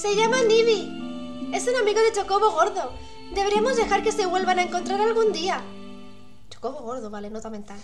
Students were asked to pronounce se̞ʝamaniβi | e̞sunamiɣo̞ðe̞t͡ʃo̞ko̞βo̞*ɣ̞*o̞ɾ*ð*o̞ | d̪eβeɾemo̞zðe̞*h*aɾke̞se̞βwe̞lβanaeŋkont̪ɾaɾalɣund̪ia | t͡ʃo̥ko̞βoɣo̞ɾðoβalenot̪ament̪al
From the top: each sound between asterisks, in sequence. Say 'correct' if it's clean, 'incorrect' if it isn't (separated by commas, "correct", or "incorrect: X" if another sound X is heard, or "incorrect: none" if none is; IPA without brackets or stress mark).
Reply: correct, correct, incorrect: x